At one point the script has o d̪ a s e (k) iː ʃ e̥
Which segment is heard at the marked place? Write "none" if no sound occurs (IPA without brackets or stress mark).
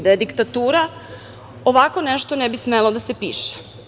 p